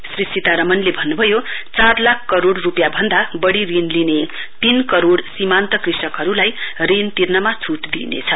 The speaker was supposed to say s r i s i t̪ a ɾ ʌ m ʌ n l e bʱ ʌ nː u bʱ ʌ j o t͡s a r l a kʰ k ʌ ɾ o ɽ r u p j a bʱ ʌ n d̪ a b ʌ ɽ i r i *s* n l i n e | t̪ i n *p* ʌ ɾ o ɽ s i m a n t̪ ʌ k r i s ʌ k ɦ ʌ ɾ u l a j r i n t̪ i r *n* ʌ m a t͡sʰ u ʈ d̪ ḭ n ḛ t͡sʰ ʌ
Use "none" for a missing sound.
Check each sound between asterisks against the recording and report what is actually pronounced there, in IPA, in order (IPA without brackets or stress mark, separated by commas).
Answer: none, k, n